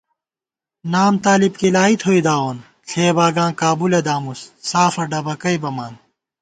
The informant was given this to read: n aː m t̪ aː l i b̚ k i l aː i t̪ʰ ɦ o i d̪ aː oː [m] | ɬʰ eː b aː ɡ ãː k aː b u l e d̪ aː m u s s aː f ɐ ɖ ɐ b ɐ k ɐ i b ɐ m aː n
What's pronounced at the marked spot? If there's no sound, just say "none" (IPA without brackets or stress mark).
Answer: n